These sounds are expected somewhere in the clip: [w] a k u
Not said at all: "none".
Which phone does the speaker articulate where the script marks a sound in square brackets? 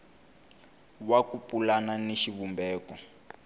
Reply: w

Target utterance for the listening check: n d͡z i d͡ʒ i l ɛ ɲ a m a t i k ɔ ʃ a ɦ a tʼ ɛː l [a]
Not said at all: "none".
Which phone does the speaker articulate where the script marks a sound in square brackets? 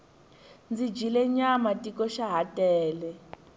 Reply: ɛ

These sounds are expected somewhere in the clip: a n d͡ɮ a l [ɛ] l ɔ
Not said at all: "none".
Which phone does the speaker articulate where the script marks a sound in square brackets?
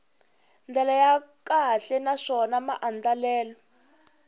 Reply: ɛː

